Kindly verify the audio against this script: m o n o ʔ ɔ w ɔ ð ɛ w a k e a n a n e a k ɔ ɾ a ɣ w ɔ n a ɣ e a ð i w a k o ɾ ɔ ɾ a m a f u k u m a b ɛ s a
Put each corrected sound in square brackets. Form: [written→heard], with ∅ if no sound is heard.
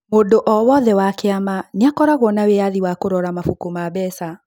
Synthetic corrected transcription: m o [n→d] o ʔ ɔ w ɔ ð ɛ w a k e a [n→m] a n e a k ɔ ɾ a ɣ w ɔ n a [ɣ→w] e a ð i w a k o ɾ ɔ ɾ a m a f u k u m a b ɛ s a